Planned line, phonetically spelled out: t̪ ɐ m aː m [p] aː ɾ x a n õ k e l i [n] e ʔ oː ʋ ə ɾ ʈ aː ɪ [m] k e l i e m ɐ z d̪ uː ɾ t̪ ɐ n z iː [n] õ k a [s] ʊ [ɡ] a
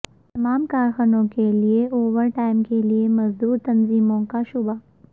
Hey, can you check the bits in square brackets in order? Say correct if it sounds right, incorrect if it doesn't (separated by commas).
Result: incorrect, incorrect, correct, incorrect, incorrect, incorrect